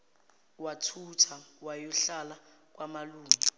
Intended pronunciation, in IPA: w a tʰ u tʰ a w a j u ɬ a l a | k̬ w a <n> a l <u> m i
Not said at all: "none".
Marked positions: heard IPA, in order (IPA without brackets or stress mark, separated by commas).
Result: m, uː